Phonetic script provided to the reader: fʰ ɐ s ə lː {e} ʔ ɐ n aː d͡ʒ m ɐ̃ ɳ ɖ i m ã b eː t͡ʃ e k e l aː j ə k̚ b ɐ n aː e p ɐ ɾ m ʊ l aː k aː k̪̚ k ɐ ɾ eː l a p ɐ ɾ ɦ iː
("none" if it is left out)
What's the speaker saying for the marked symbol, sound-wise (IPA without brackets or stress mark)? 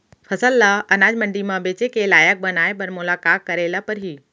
a